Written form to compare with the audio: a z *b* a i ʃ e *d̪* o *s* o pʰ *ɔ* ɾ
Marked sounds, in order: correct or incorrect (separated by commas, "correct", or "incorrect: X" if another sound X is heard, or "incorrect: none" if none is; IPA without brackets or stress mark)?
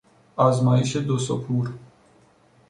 incorrect: m, correct, correct, incorrect: u